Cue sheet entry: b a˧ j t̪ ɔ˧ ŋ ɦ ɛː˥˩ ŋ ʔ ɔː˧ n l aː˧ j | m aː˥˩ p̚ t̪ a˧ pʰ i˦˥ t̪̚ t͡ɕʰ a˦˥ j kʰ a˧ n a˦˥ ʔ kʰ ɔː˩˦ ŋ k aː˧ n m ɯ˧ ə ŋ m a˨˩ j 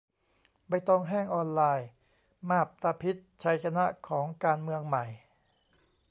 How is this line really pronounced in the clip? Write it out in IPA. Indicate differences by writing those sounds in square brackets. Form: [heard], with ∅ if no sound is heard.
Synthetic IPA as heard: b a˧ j t̪ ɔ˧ ŋ ɦ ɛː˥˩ ŋ ʔ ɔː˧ n l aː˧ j | m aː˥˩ p̚ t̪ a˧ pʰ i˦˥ t̪̚ t͡ɕʰ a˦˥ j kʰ a˧ n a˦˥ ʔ kʰ ɔː˩˦ ŋ k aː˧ n m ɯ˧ ə ŋ m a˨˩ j